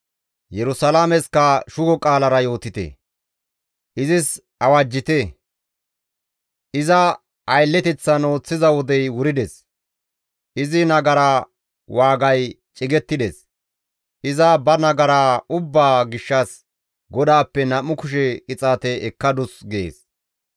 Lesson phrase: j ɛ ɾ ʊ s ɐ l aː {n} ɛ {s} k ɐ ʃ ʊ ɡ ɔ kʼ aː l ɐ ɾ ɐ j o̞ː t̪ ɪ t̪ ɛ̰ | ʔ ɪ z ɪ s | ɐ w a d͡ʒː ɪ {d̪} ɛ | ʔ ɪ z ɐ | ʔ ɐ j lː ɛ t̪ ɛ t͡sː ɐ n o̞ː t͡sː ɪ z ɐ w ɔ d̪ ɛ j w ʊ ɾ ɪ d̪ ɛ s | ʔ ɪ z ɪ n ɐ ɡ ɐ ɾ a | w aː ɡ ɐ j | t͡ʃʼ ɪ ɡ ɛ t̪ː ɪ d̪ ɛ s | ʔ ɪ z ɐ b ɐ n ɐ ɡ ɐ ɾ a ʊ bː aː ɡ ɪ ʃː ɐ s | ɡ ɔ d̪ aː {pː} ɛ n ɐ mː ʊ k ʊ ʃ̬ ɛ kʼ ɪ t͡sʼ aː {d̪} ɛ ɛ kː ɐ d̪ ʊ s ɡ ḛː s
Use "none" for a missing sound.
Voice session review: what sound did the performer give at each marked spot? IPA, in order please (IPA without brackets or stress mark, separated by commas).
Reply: m, s, t̪, pː, t̪